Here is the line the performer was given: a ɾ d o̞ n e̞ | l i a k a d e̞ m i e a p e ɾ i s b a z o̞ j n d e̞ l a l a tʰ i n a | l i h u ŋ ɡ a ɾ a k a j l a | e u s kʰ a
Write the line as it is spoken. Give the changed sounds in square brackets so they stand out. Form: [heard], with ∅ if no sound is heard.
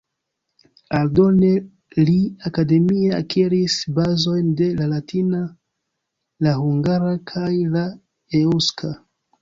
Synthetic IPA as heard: a [l] d o̞ n e̞ | l i a k a d e̞ m i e a [k] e ɾ i s b a z o̞ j n d e̞ l a l a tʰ i n a | l [a] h u ŋ ɡ a ɾ a [kʰ] a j l a | e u s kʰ a